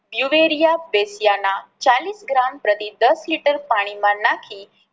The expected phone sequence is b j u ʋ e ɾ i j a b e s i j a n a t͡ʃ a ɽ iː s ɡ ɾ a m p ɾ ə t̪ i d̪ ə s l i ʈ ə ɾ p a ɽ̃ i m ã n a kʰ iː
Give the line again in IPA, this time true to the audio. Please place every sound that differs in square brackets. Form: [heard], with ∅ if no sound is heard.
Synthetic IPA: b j u ʋ e ɾ i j a b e s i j a n a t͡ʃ a [l] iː s ɡ ɾ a m p ɾ ə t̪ i d̪ ə s l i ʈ ə ɾ p a ɽ̃ i m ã n a kʰ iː